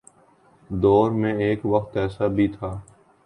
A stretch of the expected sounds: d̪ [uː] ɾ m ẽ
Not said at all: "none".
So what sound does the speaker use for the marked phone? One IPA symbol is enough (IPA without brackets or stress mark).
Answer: ɔː